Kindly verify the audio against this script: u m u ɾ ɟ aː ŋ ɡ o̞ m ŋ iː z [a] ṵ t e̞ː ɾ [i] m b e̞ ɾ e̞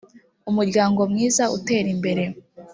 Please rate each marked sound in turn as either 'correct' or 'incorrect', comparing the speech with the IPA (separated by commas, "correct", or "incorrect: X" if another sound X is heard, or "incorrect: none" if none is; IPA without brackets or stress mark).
correct, correct